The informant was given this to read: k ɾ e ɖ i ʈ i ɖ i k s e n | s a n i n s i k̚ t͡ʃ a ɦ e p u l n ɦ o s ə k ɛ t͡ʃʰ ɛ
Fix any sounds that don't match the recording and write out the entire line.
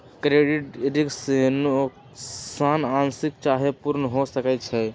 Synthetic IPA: k ɾ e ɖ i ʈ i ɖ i k s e n | s a n a n s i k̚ t͡ʃ a ɦ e p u ɾ n ɦ o s ə k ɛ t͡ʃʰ ɛ